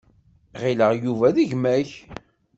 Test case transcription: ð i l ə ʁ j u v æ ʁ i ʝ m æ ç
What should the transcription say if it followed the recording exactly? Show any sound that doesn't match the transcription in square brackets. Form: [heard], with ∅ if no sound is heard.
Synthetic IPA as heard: [ʁ] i l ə ʁ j u v æ [ð] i ʝ m æ ç